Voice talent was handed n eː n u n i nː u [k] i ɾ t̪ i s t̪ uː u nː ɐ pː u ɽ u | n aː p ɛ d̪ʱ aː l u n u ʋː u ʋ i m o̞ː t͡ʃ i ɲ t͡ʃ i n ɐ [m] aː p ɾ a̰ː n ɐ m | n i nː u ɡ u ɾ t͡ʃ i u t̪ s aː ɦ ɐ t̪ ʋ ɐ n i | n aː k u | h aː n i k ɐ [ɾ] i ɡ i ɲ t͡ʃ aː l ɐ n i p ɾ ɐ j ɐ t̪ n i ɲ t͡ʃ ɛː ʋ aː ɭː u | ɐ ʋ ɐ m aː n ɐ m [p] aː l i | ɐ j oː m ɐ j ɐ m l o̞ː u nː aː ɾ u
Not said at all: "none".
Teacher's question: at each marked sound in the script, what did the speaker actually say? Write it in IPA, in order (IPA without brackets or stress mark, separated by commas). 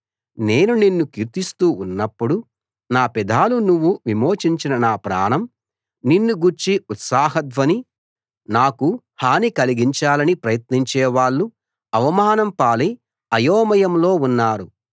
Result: k, n, l, p